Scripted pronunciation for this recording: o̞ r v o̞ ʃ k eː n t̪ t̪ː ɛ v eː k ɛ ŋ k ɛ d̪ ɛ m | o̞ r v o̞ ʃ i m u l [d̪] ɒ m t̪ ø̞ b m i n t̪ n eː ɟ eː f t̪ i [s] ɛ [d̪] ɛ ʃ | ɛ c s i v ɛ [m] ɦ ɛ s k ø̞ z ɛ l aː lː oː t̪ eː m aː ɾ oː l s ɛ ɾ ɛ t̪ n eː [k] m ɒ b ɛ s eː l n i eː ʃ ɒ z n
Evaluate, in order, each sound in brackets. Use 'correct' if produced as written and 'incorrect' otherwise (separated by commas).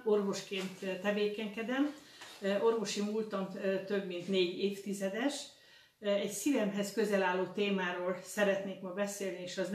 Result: incorrect, incorrect, correct, correct, correct